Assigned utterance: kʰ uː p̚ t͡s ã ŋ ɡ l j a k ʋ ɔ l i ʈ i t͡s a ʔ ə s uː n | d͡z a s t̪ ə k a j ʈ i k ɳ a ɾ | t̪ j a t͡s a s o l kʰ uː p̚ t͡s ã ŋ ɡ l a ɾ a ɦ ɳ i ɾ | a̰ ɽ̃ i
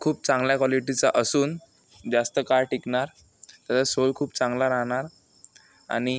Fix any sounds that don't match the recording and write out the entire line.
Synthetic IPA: kʰ uː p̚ t͡s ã ŋ ɡ l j a k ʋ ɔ l i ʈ i t͡s a ʔ ə s uː n | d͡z a s t̪ ə k a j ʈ i k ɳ a ɾ | t̪ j a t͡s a s o l kʰ uː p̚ t͡s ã ŋ ɡ l a ɾ a ɦ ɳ a ɾ | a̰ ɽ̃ i